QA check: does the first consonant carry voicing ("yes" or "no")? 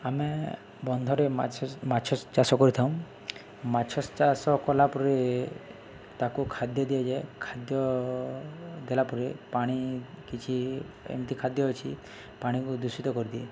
yes